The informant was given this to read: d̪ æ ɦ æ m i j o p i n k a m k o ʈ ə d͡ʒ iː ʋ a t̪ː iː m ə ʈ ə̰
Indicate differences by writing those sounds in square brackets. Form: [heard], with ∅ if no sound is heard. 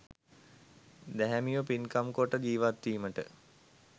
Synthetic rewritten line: d̪ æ ɦ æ m i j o p i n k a m k o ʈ ə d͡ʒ iː ʋ a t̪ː iː m ə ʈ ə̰